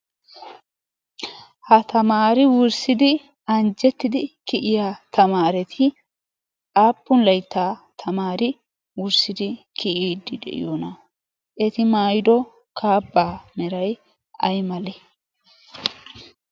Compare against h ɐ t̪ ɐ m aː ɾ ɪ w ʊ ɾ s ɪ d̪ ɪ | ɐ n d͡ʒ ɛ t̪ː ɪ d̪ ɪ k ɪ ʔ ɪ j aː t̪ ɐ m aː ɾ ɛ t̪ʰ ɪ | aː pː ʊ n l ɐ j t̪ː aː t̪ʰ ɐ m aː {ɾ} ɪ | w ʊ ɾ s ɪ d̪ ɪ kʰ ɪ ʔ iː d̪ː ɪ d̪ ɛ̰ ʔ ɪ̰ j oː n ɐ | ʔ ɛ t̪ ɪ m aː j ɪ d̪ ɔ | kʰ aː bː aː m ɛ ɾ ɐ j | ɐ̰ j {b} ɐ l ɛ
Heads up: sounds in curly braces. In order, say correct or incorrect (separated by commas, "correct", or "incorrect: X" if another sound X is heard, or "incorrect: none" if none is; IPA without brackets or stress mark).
correct, incorrect: m